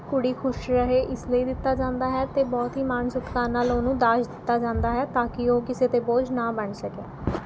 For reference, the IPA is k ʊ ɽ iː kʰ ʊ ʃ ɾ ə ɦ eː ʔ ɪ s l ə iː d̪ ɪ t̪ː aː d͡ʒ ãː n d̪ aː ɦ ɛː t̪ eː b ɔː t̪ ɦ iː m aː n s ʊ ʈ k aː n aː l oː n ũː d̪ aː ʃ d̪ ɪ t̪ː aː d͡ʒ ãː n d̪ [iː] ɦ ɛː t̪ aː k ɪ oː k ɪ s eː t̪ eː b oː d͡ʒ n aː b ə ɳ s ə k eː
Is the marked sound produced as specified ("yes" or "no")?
no